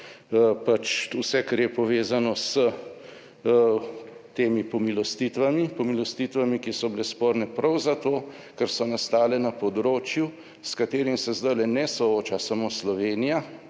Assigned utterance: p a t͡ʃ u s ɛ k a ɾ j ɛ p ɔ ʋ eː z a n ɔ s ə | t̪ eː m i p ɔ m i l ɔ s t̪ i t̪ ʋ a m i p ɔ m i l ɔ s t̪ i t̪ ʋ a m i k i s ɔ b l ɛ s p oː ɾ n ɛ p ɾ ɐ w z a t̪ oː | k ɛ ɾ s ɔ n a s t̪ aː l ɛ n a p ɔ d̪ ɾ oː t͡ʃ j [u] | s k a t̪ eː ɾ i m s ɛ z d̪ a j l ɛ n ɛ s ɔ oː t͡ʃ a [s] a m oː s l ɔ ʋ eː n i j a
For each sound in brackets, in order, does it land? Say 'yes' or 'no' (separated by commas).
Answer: yes, yes